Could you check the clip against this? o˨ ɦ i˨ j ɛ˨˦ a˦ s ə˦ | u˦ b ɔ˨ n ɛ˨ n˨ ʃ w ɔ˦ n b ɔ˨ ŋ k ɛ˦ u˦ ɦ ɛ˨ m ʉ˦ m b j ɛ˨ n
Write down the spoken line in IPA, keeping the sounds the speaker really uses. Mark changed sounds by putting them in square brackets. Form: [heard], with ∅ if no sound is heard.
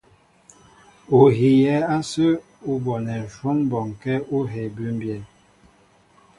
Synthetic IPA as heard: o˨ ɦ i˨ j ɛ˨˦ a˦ s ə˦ | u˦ b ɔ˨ n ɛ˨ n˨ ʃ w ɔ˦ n b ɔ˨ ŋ k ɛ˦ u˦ ɦ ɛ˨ [b] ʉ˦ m b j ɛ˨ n